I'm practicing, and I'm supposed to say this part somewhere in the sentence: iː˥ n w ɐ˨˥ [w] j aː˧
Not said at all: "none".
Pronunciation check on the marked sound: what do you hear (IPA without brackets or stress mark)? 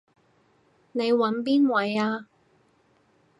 none